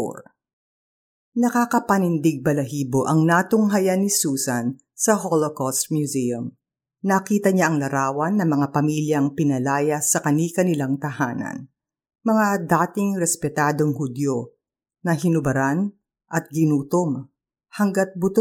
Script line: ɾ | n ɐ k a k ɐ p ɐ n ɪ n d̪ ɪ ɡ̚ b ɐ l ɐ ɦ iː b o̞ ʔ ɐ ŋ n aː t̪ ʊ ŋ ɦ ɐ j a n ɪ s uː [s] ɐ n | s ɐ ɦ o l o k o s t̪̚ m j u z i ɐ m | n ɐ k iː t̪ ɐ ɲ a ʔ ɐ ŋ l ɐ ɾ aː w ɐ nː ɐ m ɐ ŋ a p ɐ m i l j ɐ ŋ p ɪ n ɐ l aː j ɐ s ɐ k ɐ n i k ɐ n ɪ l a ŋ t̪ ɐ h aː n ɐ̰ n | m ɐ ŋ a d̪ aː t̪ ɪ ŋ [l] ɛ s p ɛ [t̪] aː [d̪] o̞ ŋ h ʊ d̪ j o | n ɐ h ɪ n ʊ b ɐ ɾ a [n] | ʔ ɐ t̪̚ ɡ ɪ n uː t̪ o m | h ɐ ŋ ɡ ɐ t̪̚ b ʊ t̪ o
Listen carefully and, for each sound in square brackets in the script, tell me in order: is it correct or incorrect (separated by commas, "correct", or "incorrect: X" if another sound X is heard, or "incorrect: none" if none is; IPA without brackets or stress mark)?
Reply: correct, incorrect: ɾ, correct, correct, correct